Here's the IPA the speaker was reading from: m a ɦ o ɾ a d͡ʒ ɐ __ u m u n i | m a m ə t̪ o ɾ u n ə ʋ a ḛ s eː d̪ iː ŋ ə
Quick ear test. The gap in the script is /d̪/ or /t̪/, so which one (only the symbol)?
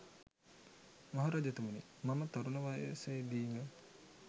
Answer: t̪